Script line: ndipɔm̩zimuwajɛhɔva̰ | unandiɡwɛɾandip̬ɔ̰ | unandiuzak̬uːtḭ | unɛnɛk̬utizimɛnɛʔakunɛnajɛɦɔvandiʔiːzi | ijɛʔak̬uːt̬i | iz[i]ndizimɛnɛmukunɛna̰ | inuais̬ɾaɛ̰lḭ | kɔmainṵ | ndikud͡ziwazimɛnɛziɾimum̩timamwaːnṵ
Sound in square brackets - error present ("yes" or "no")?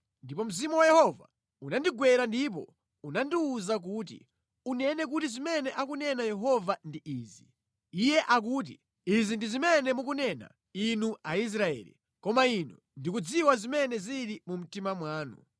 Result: no